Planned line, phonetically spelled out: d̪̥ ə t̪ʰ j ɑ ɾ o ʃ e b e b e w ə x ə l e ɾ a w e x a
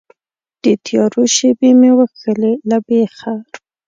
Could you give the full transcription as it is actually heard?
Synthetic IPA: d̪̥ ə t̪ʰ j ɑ ɾ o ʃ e b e m e w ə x ə l e l a b e x a